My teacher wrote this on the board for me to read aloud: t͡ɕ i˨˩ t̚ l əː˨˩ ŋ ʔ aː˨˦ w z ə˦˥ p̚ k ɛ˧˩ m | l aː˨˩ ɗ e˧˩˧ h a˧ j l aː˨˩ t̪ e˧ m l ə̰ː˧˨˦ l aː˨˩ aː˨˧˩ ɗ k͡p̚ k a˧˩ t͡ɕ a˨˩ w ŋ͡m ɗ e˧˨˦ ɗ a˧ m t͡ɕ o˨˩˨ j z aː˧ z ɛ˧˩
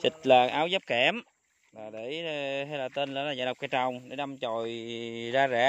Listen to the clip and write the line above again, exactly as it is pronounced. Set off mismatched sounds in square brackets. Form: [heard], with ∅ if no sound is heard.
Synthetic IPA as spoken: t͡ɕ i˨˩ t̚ l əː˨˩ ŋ ʔ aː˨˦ w z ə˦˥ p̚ k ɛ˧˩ m | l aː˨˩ ɗ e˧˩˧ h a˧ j l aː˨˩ t̪ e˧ [n] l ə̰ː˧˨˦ l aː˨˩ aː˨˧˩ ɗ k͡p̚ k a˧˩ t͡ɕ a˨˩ w ŋ͡m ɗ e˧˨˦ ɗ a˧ m t͡ɕ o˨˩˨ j z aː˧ z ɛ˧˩

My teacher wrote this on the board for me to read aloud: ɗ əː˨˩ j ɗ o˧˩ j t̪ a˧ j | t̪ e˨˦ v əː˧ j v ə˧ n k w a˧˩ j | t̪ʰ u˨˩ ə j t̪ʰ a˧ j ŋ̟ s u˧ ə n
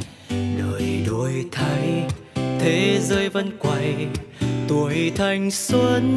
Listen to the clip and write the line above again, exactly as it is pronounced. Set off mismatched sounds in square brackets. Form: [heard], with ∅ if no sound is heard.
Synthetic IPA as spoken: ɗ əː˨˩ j ɗ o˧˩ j [t̪ʰ] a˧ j | [t̪ʰ] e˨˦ [z] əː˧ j v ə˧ n k w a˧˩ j | [t̪] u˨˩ ə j t̪ʰ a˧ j ŋ̟ s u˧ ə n

